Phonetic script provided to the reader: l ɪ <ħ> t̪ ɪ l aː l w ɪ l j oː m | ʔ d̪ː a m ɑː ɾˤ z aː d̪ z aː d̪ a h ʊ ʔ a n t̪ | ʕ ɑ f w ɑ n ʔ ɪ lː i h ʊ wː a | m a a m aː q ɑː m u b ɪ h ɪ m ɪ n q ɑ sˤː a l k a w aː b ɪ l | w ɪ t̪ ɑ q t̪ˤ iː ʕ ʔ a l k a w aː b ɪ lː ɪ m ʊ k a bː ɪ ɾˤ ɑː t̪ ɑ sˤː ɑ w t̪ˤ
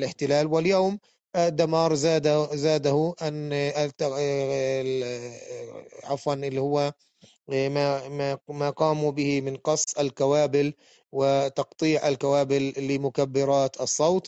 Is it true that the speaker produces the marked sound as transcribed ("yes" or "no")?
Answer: yes